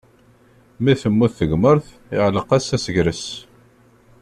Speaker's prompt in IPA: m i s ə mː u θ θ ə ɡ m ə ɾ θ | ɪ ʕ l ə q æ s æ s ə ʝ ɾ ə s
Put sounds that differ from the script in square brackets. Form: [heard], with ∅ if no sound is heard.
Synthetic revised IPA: m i [θ] ə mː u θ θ ə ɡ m ə ɾ θ | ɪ ʕ l ə q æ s æ s ə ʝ ɾ ə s